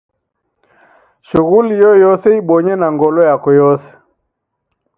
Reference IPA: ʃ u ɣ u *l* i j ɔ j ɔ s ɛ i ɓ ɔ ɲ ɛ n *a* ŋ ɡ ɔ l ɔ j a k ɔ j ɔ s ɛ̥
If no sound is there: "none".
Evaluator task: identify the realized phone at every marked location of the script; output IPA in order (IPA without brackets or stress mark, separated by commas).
l, a